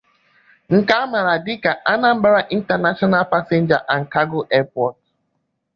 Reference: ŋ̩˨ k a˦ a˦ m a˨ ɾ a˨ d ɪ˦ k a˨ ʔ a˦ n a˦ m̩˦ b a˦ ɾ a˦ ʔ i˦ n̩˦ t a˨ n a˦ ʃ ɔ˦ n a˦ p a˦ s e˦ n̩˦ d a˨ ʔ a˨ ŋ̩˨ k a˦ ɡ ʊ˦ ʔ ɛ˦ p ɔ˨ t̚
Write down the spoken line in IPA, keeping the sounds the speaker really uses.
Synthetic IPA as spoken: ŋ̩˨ k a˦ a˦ m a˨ ɾ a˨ d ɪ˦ k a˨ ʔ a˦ n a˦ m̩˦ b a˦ ɾ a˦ ʔ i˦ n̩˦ t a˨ n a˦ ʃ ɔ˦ n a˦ p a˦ s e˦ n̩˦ d͡ʒ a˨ ʔ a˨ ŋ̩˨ k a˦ ɡ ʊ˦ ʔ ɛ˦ p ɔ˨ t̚